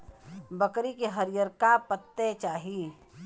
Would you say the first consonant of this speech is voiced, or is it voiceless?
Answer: voiced